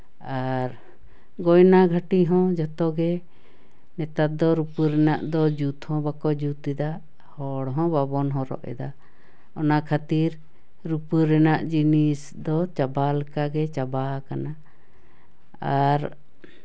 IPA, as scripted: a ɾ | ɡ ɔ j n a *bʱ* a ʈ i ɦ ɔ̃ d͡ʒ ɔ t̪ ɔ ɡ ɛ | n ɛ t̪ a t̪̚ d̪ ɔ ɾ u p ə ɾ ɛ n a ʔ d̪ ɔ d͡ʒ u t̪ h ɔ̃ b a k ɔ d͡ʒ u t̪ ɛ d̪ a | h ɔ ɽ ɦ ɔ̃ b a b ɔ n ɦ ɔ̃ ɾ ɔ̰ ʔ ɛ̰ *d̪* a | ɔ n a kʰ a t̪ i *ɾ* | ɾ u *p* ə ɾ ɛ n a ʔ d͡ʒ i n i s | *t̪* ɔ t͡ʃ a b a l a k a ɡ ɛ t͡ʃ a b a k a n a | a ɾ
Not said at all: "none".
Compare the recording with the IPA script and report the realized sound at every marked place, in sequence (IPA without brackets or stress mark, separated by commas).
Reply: ɡʱ, d̪, ɾ, p, d̪